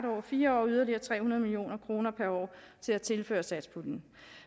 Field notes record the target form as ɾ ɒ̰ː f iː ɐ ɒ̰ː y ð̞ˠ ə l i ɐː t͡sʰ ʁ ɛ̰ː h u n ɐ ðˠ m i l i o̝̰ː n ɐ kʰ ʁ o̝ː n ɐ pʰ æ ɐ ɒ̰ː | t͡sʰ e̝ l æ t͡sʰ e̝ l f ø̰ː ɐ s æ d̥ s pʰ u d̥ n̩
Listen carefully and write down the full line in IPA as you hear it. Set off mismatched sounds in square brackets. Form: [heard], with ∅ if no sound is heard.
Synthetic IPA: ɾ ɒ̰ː f iː ɐ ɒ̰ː y ð̞ˠ [ɐ] l i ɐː t͡sʰ ʁ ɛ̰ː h u n ɐ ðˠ m i l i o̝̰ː n ɐ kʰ ʁ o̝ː n ɐ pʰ æ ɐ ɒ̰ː | t͡sʰ e̝ l æ t͡sʰ e̝ l f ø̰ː ɐ s æ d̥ s pʰ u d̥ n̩